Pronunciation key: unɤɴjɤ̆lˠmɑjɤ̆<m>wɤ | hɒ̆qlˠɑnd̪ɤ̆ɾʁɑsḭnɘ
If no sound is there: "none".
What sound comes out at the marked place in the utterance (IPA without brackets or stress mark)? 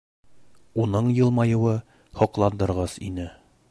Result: none